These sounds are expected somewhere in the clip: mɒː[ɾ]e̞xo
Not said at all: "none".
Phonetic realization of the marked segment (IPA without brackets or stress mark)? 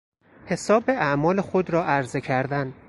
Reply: l